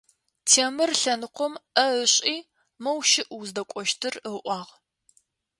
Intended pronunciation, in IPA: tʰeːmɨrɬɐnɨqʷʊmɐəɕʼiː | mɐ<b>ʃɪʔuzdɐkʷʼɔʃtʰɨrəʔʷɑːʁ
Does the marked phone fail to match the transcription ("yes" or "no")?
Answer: yes